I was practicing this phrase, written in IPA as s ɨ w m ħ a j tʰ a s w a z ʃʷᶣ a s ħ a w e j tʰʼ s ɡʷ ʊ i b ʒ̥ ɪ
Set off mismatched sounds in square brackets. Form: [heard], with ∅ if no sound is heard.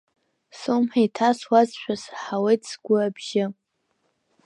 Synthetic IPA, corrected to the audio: s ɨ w m ħ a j tʰ a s w a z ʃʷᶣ a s ħ a w e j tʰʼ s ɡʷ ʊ [a] b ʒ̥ ɪ